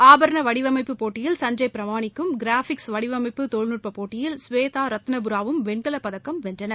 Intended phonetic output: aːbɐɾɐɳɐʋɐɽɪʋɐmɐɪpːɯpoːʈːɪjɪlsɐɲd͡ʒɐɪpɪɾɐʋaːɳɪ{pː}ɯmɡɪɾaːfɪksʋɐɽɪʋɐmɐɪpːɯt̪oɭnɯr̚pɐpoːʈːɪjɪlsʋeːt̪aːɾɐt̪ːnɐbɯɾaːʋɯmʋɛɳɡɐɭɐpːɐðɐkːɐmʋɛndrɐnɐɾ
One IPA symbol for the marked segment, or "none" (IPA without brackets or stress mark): kː